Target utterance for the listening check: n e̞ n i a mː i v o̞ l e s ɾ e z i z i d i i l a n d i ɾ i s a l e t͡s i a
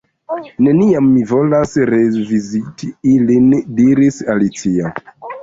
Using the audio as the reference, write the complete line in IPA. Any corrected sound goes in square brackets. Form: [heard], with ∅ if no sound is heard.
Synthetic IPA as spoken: n e̞ n i a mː i v o̞ l [a] s ɾ e [v] i z i [t] i i l [i] n d i ɾ i s a l [i] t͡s i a